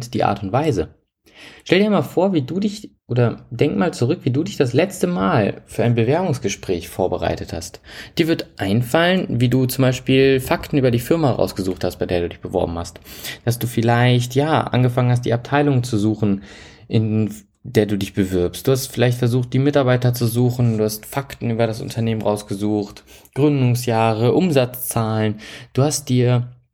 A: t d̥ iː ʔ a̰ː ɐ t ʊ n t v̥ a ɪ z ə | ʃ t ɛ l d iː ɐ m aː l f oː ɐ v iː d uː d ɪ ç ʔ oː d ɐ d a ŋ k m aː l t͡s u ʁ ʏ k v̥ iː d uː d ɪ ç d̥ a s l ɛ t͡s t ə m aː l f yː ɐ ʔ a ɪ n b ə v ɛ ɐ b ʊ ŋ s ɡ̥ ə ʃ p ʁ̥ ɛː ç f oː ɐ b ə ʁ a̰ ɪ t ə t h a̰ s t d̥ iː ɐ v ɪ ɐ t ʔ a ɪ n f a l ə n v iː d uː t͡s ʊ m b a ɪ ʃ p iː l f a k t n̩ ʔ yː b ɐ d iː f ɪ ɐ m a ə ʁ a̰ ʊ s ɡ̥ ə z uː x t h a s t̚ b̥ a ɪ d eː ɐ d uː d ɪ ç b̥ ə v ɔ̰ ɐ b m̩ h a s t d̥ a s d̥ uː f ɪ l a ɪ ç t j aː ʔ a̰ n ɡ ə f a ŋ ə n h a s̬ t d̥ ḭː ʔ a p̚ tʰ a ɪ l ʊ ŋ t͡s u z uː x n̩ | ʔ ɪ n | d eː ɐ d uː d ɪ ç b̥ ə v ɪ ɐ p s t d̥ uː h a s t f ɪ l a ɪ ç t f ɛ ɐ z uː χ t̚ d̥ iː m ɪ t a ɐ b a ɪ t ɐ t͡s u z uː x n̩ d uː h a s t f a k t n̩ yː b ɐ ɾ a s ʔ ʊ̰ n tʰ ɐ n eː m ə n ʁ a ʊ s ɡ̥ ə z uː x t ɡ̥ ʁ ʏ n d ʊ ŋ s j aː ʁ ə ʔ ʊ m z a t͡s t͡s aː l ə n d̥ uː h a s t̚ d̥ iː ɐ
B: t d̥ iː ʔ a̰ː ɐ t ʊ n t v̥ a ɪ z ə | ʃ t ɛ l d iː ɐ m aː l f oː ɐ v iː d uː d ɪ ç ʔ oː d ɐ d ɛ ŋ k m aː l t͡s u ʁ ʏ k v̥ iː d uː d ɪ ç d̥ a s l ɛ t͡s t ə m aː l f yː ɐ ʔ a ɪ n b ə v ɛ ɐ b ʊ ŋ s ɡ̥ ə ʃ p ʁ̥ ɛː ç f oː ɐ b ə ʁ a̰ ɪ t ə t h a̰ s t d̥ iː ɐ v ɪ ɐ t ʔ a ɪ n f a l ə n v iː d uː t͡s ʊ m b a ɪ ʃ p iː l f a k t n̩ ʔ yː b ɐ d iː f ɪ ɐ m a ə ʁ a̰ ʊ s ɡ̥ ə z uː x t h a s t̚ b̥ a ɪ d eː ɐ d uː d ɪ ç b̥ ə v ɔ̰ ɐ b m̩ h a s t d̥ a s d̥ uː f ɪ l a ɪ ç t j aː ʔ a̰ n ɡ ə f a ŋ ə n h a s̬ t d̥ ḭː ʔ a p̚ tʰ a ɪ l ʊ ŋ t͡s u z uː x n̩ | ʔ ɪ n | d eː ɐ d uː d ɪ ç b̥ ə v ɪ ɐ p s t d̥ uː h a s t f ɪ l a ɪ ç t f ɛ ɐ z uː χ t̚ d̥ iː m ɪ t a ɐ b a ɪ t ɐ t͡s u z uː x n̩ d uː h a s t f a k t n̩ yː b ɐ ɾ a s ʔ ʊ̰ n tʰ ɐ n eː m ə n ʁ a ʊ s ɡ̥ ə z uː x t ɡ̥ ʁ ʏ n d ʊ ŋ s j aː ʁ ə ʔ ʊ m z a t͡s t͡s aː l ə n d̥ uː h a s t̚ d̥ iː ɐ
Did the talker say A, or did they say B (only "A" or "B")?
B